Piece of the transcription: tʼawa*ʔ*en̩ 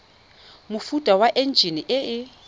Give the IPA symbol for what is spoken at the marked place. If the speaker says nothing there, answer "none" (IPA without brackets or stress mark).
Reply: ʔ